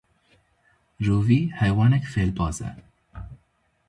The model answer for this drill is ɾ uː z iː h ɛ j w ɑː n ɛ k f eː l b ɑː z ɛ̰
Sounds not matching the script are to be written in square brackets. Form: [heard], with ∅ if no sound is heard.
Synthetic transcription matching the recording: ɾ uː [v] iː h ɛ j w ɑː n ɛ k f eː l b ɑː z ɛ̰